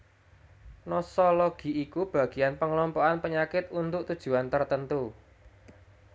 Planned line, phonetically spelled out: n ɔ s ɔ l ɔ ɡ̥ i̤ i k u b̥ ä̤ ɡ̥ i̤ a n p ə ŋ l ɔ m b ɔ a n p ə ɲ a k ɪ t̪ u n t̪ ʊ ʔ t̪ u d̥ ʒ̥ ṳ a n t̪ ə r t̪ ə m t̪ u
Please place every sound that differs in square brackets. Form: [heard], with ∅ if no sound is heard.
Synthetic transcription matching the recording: n ɔ s ɔ l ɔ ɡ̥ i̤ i k u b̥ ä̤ ɡ̥ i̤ a n p ə ŋ l ɔ m [p] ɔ a n p ə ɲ a k ɪ t̪ u n t̪ ʊ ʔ t̪ u d̥ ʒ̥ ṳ a n t̪ ə r t̪ ə [n] t̪ u